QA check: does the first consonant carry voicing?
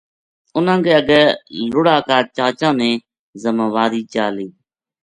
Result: yes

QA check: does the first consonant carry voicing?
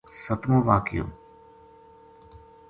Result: no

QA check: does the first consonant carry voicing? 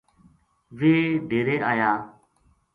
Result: yes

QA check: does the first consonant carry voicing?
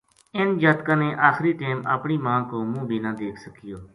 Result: yes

